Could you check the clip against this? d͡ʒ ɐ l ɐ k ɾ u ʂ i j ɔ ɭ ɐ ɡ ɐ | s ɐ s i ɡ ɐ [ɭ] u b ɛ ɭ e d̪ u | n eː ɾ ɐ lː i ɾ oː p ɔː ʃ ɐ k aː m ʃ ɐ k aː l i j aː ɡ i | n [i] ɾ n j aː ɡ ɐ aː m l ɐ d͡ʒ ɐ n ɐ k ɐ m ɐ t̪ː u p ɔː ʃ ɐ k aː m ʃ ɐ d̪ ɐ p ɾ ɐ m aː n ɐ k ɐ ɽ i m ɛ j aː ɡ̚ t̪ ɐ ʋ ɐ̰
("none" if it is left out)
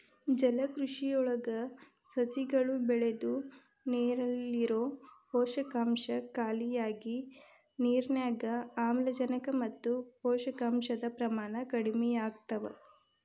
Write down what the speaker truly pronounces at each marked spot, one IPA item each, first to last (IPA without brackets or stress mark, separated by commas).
ɭ, iː